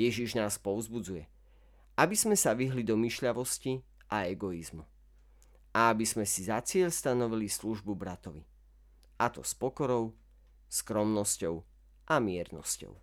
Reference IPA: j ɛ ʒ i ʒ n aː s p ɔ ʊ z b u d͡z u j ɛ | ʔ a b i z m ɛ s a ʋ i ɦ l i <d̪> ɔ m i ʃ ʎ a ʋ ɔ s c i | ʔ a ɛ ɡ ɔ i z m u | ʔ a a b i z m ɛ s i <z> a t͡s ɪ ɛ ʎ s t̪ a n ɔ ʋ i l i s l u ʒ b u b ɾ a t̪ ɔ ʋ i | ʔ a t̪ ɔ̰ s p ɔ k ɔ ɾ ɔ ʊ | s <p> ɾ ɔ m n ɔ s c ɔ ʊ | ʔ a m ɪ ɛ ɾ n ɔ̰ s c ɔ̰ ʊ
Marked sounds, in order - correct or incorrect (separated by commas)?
correct, correct, incorrect